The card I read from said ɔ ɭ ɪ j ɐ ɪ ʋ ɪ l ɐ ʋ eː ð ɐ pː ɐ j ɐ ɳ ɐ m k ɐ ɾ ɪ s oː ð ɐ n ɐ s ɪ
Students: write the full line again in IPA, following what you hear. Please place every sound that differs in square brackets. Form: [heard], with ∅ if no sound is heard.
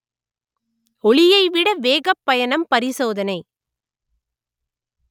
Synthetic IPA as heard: ɔ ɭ ɪ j ɐ ɪ ʋ ɪ [ɽ] ɐ ʋ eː [ɣ] ɐ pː ɐ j ɐ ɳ ɐ m [p] ɐ ɾ ɪ s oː ð ɐ n ɐ [∅] ɪ